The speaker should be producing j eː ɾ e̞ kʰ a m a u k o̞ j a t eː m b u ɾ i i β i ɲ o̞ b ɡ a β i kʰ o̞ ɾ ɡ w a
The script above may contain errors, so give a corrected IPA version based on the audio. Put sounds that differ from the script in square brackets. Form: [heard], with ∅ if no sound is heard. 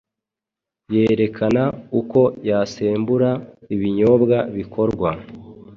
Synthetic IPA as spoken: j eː ɾ e̞ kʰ a [n] a u k o̞ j a [s] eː m b u ɾ [a] i β i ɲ o̞ b ɡ a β i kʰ o̞ ɾ ɡ w a